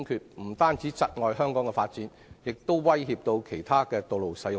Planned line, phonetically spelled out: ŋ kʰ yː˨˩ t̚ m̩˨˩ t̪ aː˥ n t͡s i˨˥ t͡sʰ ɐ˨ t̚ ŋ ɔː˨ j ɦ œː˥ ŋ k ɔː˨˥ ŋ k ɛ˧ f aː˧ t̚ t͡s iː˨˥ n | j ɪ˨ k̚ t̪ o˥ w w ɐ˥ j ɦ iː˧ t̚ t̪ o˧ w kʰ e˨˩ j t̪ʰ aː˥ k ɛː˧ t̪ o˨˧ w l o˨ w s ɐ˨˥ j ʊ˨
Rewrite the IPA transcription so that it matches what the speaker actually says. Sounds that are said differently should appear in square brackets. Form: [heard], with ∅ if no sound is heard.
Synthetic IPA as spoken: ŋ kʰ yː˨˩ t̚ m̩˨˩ t̪ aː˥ n t͡s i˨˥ [t͡s] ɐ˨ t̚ ŋ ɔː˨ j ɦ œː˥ ŋ k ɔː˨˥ ŋ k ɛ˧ f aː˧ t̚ t͡s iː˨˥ n | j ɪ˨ k̚ t̪ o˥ w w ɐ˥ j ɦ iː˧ [p̚] t̪ o˧ w kʰ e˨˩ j t̪ʰ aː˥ k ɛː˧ t̪ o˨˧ w l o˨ w s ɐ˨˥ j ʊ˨